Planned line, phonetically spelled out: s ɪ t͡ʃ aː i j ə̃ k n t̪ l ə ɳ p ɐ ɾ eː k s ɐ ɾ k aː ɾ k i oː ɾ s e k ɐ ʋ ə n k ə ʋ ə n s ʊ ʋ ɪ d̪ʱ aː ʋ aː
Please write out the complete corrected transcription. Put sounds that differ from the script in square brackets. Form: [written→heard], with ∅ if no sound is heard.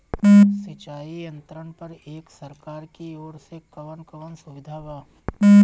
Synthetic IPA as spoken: s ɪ t͡ʃ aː i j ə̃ [k→∅] n t̪ [l→ɾ] ə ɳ p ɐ ɾ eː k s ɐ ɾ k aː ɾ k i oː ɾ s e k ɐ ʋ ə n k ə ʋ ə n s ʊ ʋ ɪ d̪ʱ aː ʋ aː